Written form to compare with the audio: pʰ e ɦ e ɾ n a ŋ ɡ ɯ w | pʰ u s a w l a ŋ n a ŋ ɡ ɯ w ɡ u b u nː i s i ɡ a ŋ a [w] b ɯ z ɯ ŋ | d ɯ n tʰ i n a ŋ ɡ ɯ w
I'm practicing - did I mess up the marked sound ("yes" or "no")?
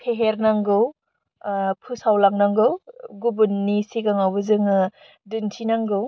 no